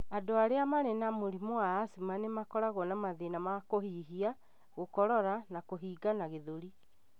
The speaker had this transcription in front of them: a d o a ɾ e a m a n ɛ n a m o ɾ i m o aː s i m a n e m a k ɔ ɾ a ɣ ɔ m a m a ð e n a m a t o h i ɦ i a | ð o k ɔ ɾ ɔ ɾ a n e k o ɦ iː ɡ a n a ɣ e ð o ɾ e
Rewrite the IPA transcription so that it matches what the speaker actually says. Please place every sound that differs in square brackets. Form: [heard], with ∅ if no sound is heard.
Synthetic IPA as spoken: a d o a ɾ e a m a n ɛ n a m o ɾ i m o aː s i m a n e m a k ɔ ɾ a ɣ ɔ [n] a m a ð e n a m a [k] o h i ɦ i a | [ɣ] o k ɔ ɾ ɔ ɾ a n [a] k o ɦ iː ɡ a n a ɣ e ð o ɾ [i]